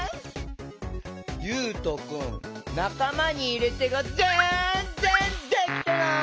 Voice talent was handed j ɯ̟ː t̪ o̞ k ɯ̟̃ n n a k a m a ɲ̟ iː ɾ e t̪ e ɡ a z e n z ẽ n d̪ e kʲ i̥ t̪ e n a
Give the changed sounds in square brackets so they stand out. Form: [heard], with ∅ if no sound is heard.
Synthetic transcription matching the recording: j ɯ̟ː t̪ o̞ k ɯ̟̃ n n a k a m a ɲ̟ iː ɾ e t̪ e ɡ a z e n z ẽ n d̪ e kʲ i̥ t̪ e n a